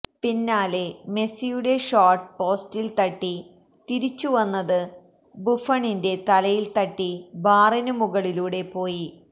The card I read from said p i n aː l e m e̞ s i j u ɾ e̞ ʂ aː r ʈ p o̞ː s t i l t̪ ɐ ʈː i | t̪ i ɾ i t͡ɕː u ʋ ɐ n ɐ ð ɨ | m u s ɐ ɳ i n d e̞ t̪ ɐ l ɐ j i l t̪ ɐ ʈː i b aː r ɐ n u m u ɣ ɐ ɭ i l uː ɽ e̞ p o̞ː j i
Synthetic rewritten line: p i nː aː l e m e̞ s i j u ɽ e̞ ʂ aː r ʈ p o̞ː s t i l t̪ ɐ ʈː i | t̪ i ɾ i t͡ɕː u ʋ ɐ nː ɐ ð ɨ | b u f ɐ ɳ i n d e̞ t̪ ɐ l ɐ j i l t̪ ɐ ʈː i b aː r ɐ n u m u ɣ ɐ ɭ i l uː ɽ e̞ p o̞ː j i